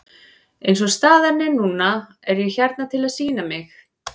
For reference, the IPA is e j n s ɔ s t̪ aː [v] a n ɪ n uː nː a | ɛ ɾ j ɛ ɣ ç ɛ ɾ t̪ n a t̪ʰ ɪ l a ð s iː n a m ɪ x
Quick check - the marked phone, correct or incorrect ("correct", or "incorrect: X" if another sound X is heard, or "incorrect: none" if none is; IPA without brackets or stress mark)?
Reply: incorrect: ð